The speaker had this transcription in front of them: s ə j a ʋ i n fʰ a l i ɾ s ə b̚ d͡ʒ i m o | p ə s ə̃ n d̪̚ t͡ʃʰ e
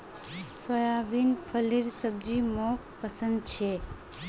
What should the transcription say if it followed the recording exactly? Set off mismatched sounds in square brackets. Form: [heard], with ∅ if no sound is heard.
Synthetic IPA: s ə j a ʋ i n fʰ [ə] l i ɾ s ə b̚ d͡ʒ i m o | p ə s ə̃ n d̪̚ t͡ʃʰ e